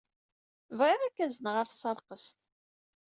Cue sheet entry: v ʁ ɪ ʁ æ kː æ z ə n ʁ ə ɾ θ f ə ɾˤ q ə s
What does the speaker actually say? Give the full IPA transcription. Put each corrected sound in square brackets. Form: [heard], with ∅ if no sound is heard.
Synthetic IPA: v ʁ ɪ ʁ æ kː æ z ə n ʁ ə ɾ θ [s] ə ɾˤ q ə s

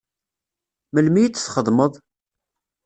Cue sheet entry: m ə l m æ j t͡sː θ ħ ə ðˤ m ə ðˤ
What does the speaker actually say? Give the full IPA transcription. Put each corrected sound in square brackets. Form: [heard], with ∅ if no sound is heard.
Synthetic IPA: m ə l m [i] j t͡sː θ [χ] ə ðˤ m ə ðˤ

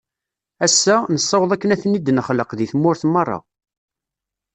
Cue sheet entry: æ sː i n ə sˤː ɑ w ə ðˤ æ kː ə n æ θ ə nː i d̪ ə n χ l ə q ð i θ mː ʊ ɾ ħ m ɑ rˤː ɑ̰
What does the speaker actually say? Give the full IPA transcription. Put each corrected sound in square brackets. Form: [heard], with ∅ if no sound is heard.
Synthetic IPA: æ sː [æ] n ə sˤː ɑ w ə ðˤ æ kː ə n æ θ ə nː i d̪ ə n χ l ə q ð i θ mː ʊ ɾ [θ] m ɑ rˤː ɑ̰

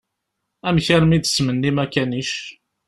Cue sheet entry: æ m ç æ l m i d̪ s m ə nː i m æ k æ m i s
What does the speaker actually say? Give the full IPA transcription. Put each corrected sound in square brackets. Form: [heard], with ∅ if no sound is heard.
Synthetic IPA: æ m ç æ [ɾ] m i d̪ s m ə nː i m æ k æ [n] i [ʃ]

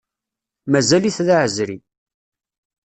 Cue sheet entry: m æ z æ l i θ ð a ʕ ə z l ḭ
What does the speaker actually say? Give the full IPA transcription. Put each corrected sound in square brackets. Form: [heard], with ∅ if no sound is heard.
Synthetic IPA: m æ z æ l i θ ð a ʕ ə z [ɾ] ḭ

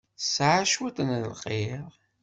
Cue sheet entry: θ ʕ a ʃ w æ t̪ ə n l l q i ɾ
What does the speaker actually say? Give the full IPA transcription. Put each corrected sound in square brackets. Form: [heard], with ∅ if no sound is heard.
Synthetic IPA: [s] ʕ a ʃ w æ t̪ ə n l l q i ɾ

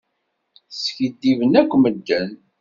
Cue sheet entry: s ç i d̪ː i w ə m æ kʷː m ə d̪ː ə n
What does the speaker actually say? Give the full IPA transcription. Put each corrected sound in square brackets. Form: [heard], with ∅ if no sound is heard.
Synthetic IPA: s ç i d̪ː i [v] ə [n] æ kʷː m ə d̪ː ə n

